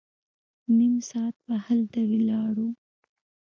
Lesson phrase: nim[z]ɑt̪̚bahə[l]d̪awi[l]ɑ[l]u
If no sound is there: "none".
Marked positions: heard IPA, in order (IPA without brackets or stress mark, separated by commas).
s, l, l, ɽ